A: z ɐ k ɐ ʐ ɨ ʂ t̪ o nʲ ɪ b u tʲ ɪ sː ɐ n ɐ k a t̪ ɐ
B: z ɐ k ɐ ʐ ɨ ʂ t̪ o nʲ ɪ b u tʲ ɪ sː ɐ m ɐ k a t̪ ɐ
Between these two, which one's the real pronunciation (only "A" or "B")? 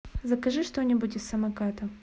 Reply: B